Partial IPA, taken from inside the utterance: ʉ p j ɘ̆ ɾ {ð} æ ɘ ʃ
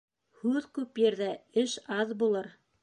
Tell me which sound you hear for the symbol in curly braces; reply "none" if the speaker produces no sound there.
ð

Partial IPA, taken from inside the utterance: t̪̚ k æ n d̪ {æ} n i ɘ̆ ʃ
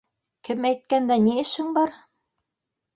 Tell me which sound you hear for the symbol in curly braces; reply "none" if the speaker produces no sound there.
æ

